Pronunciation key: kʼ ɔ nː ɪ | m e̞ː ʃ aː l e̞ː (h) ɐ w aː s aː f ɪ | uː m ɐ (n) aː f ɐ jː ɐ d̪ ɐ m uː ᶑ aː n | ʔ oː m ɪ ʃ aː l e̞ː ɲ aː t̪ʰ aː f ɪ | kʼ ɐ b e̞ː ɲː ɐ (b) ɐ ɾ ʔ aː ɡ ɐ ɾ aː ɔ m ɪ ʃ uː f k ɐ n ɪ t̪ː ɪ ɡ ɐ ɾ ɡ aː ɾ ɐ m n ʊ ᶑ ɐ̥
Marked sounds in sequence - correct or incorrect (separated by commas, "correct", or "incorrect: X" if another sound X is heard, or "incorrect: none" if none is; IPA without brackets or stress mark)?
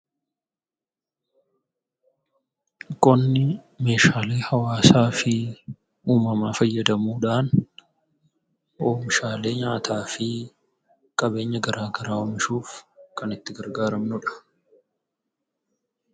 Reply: correct, incorrect: m, incorrect: ɡ